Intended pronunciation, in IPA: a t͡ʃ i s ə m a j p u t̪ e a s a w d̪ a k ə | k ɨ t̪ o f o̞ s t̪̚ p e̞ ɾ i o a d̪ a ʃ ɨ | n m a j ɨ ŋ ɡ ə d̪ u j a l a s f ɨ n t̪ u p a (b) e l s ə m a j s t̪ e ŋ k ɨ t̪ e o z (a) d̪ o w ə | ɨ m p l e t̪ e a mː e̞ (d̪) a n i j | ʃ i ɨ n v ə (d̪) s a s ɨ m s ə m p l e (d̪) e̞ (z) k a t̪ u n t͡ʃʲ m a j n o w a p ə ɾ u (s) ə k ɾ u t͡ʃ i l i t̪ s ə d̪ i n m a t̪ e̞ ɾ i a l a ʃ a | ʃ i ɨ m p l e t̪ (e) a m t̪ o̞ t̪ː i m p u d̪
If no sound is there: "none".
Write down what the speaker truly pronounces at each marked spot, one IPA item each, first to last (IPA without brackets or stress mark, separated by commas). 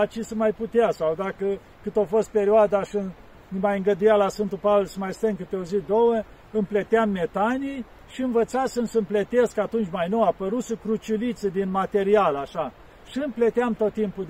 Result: v, i, t̪, t̪, t̪, s, s, e